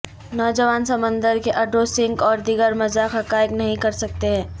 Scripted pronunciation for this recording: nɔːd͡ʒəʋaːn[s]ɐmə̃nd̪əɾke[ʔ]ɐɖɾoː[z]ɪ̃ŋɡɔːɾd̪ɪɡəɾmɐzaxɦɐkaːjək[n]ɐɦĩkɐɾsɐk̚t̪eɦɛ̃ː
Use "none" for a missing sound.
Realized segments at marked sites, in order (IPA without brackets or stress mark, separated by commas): s, ʔ, s, n